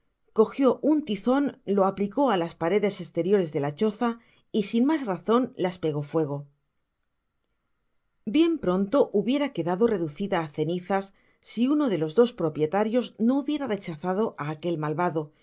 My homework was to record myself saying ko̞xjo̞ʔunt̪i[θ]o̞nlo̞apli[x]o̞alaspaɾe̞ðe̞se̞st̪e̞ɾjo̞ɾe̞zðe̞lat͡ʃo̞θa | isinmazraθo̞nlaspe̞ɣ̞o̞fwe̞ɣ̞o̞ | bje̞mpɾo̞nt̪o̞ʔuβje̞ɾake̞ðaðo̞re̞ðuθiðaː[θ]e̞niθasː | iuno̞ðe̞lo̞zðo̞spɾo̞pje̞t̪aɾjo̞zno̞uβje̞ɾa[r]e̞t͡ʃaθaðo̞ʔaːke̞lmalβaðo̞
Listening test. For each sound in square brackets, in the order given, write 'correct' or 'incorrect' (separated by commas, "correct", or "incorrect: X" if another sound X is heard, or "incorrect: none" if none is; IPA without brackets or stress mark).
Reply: correct, incorrect: k, correct, correct